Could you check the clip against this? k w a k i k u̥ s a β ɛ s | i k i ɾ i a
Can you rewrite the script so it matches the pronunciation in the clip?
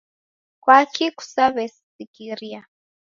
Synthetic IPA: k w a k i k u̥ s a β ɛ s | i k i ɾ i a